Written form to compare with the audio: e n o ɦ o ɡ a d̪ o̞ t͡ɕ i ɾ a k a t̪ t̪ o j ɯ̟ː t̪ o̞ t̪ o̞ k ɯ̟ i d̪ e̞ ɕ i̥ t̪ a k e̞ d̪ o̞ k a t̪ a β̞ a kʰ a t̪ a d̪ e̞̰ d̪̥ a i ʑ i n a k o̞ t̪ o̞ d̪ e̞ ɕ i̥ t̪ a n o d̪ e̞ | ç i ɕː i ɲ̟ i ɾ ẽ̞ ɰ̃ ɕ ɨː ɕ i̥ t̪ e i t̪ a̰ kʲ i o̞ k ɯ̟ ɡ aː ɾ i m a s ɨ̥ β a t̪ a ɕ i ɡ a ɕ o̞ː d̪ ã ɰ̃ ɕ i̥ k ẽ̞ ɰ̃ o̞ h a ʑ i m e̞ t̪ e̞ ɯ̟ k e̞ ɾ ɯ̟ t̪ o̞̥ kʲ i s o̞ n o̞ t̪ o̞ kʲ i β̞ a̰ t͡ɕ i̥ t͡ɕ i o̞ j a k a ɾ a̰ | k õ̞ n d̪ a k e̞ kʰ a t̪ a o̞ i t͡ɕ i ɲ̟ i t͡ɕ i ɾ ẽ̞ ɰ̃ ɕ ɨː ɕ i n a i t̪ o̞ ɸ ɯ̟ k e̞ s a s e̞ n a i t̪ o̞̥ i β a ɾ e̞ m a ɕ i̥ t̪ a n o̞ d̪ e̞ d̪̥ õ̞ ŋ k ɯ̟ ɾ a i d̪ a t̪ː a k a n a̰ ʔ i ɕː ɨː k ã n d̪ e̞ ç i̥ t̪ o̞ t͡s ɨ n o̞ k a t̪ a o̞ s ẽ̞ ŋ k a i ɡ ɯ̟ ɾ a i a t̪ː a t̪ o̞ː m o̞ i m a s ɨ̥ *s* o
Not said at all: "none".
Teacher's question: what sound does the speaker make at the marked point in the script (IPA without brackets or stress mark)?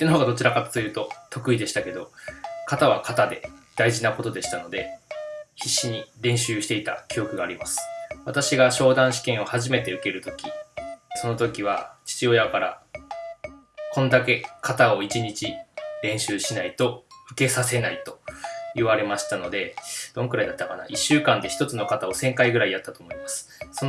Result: s